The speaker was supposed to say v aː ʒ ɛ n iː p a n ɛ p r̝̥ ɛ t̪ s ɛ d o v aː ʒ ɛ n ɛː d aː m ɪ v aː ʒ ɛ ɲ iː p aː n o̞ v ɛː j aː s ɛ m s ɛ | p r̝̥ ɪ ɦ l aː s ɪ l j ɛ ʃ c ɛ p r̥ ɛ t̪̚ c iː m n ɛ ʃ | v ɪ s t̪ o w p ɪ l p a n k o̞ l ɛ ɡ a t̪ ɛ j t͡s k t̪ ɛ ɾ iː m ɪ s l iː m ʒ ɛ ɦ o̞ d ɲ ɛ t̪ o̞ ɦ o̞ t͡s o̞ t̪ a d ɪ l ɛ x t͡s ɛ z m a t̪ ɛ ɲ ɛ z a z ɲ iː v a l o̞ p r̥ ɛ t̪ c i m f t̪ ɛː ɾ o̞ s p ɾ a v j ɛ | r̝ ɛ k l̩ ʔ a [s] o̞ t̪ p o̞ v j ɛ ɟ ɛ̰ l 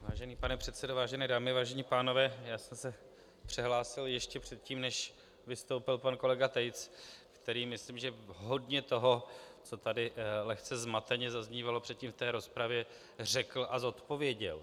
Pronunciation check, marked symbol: incorrect: z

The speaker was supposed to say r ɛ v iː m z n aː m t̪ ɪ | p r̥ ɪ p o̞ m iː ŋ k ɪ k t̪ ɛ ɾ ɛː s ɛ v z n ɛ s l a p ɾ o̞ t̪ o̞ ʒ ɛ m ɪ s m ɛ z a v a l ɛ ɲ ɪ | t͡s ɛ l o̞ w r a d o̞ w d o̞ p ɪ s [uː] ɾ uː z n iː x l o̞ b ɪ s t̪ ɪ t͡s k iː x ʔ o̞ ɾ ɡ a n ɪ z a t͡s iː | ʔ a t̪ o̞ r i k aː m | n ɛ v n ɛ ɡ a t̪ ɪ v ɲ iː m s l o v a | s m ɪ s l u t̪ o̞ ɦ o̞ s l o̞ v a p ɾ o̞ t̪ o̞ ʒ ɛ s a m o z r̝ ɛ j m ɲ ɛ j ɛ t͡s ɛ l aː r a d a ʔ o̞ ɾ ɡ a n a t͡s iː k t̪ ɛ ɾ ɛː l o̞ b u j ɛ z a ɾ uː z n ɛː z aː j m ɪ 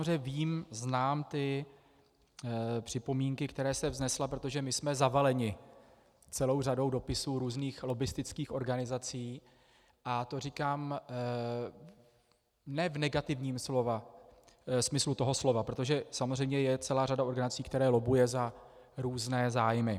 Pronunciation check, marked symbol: correct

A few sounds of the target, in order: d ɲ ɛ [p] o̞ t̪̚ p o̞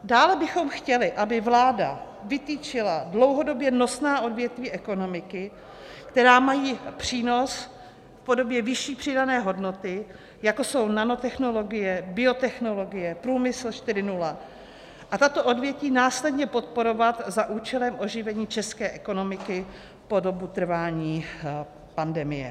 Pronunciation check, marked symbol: correct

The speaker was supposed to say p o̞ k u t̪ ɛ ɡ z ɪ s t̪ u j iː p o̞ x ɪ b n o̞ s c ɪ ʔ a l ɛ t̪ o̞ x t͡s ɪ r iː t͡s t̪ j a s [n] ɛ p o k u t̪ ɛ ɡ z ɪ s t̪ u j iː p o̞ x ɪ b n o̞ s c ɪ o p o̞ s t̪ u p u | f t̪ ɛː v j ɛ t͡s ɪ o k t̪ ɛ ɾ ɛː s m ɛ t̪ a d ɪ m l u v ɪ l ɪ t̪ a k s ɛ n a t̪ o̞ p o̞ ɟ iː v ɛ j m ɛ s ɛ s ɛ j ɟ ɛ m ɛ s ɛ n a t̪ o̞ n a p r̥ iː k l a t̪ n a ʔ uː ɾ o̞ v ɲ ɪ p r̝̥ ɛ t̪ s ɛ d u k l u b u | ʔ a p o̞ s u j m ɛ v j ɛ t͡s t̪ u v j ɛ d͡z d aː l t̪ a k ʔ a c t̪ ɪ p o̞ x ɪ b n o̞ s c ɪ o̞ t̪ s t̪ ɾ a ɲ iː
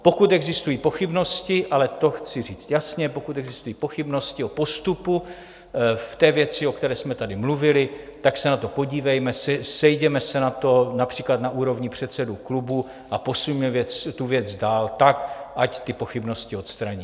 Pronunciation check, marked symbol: incorrect: ɲ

